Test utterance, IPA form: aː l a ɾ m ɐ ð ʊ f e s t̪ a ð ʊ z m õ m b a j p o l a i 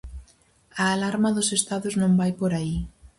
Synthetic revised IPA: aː l a ɾ m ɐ ð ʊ s e s t̪ a ð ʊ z n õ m b a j p o ɾ a i

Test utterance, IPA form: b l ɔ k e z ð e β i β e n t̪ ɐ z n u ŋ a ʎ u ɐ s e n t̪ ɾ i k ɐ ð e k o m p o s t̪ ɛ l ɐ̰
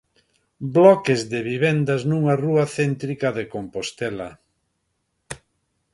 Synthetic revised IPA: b l ɔ k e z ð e β i β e n d̪ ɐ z n u ŋ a r u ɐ θ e n t̪ ɾ i k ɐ ð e k o m p o s t̪ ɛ l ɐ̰

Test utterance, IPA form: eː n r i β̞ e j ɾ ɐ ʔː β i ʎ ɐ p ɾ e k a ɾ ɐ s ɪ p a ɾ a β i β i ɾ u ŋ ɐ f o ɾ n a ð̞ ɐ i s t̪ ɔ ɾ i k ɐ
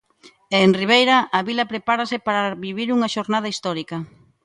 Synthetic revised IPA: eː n r i β̞ e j ɾ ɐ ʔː β i l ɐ p ɾ e p a ɾ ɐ s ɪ p a ɾ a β i β i ɾ u ŋ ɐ ʃ o ɾ n a ð̞ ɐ i s t̪ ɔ ɾ i k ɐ

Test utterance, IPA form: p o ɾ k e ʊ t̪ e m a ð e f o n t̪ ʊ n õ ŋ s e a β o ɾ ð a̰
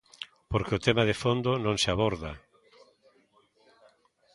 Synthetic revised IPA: p o ɾ k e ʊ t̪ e m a ð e f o n d̪ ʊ n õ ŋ s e a β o ɾ ð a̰

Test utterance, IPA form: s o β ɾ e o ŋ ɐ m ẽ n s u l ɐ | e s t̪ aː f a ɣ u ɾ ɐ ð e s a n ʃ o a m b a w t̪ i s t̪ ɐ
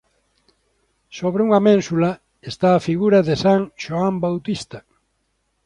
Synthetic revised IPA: s o β ɾ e u ŋ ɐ m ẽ n s u l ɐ | e s t̪ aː f i ɣ u ɾ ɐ ð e s a ŋ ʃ o a m b a w t̪ i s t̪ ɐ

